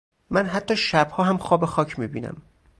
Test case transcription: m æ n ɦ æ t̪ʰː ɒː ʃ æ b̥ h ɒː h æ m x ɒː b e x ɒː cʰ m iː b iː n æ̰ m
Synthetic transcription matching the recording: m æ n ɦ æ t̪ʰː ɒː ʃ æ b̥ h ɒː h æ m x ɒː b e x ɒː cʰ m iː b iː n æ̰ m